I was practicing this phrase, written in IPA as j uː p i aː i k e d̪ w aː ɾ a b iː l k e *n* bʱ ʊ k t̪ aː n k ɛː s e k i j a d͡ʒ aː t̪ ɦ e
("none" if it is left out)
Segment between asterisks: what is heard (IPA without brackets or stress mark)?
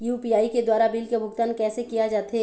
none